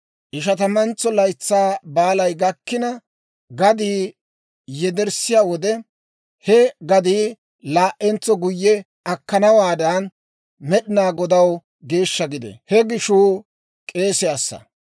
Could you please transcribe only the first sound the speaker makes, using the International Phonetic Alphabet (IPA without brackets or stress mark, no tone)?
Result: ʔ